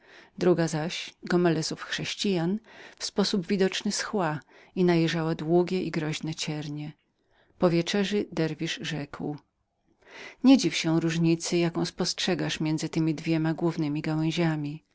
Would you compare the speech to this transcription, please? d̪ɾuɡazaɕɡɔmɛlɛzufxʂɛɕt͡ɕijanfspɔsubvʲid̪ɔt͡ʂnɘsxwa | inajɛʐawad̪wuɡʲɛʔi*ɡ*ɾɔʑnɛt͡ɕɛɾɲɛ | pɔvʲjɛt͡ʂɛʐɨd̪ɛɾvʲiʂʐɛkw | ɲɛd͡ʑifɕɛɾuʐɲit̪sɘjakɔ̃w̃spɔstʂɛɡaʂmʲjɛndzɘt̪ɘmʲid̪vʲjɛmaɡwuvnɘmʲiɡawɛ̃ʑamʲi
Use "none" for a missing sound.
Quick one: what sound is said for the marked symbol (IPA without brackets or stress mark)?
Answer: ɡ